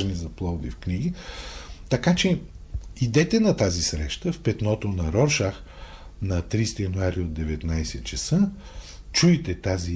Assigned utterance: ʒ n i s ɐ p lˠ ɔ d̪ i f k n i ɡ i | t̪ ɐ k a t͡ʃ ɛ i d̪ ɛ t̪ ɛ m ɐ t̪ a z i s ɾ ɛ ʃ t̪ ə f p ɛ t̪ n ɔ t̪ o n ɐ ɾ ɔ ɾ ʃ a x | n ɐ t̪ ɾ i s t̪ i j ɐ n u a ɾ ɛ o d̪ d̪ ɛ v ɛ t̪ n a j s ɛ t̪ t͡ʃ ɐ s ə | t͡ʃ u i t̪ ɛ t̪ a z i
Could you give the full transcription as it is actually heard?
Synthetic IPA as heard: ʒ n i z ɐ p lˠ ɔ d̪ i f k n i ɡ i | t̪ ɐ k a t͡ʃ ɛ i d̪ ɛ t̪ ɛ n ɐ t̪ a z i s ɾ ɛ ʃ t̪ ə f p ɛ t̪ n ɔ t̪ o n ɐ ɾ ɔ ɾ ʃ a x | n ɐ t̪ ɾ i s t̪ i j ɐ n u a ɾ i o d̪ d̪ ɛ v ɛ t̪ n a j s ɛ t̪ t͡ʃ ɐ s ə | t͡ʃ u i t̪ ɛ t̪ a z i